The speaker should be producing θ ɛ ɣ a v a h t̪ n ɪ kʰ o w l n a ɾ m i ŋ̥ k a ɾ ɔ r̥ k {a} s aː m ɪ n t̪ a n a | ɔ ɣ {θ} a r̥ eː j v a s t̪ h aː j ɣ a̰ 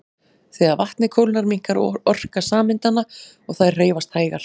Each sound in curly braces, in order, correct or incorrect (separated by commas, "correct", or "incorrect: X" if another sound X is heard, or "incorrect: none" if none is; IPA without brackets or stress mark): correct, correct